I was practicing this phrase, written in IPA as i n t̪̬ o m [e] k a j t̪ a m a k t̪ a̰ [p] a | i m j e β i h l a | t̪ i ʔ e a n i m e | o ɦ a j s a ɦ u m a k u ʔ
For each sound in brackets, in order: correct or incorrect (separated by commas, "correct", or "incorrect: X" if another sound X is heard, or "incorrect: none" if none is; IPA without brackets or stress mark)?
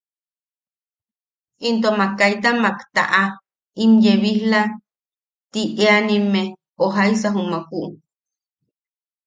incorrect: a, incorrect: ʔ